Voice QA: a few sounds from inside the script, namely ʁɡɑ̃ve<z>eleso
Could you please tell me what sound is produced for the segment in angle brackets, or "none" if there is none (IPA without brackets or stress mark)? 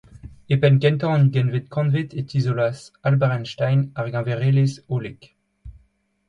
ʁ